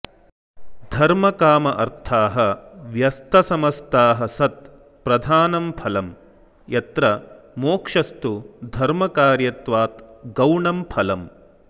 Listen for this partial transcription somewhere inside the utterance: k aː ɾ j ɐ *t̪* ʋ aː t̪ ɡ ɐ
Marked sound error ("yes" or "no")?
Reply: no